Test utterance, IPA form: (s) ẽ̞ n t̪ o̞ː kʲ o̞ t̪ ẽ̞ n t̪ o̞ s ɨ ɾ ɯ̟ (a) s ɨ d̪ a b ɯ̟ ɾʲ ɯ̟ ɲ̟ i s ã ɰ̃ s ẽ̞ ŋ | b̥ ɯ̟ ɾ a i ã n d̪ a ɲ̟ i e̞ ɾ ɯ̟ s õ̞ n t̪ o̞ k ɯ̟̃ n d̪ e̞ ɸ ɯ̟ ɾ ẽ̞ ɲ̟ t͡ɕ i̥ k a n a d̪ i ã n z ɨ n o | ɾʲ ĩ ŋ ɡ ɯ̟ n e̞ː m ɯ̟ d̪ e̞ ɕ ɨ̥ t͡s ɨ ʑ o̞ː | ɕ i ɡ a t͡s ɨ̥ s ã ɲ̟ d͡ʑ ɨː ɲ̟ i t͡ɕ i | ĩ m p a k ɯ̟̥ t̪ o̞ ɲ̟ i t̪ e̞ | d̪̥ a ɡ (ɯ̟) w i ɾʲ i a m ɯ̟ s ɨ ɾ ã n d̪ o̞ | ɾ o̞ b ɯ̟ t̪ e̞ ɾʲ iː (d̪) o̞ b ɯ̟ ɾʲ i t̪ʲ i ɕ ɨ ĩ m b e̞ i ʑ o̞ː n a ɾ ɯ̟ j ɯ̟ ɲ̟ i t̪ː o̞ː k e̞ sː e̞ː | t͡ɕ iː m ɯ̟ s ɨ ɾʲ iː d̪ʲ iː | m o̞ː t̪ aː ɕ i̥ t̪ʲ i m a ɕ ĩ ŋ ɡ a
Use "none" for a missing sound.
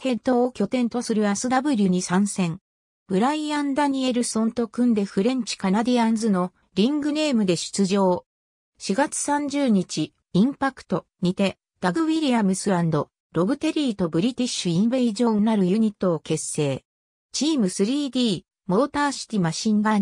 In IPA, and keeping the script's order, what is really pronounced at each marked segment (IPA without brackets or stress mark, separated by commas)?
h, a, ɯ̟, t̪